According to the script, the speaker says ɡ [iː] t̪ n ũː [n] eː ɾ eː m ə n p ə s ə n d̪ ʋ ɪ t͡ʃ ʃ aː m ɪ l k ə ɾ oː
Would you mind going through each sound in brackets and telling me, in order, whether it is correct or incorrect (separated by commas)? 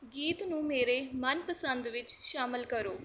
correct, incorrect